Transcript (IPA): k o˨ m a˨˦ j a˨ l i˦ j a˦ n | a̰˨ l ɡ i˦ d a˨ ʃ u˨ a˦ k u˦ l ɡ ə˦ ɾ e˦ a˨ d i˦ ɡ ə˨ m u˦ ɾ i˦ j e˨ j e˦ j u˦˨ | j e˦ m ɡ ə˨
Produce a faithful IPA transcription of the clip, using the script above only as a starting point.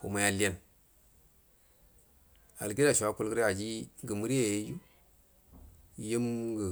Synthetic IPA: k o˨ m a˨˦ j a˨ l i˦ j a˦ n | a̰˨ l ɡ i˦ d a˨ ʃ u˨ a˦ k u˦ l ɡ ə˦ ɾ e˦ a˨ d͡ʒ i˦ ɡ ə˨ m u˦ ɾ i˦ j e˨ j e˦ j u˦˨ | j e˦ m ɡ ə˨